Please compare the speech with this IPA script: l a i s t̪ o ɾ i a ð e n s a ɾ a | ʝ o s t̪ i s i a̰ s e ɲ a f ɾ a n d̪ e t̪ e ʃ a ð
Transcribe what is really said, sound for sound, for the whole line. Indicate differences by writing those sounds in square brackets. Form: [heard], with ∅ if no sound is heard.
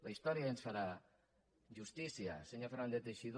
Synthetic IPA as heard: l a i s t̪ o ɾ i a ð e n s a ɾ a | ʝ [u] s t̪ i s i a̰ s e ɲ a f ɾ a n d̪ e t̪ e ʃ [i] ð